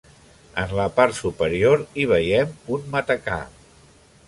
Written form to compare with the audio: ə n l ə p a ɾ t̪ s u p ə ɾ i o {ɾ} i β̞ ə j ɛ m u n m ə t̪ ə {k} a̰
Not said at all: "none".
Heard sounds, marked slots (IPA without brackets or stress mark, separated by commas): ɾ, k